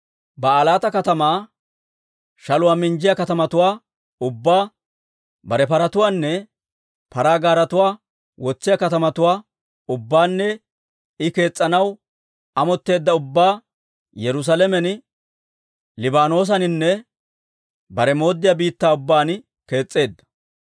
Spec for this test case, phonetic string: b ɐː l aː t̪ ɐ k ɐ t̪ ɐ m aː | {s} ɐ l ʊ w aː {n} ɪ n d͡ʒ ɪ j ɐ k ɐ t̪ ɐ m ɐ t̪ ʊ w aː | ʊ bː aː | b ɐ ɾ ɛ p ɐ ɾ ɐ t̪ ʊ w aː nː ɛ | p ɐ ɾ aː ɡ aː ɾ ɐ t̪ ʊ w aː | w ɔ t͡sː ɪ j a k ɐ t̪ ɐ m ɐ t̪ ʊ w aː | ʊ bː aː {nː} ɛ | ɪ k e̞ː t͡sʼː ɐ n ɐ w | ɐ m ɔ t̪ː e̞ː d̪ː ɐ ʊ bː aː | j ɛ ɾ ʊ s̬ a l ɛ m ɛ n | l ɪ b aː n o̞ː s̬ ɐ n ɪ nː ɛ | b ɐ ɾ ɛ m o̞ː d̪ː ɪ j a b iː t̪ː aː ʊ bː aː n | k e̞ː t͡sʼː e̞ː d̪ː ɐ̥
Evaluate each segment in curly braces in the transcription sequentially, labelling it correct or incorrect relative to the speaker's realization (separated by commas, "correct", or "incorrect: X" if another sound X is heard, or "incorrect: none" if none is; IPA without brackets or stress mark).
incorrect: ʃ, incorrect: m, correct